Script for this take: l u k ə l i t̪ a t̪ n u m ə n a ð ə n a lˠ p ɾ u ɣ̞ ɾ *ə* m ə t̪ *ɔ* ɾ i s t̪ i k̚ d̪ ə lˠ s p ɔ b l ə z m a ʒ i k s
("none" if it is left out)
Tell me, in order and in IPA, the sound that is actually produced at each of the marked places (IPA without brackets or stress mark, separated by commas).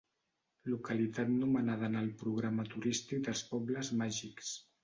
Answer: a, u